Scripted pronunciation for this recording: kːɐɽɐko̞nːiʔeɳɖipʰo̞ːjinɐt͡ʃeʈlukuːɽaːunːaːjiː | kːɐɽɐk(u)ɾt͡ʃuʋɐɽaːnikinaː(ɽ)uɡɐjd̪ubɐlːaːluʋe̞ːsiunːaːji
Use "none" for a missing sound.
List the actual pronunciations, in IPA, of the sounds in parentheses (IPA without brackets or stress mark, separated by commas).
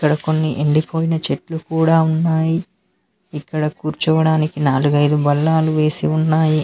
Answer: uː, l